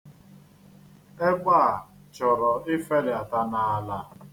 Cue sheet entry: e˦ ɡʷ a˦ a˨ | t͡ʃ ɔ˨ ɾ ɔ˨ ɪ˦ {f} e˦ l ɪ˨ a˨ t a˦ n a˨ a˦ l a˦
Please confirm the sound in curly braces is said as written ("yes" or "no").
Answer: yes